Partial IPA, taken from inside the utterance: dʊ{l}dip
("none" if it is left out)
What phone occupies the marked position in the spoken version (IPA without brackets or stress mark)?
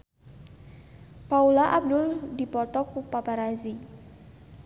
l